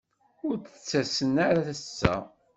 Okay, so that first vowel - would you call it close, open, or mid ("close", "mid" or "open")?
close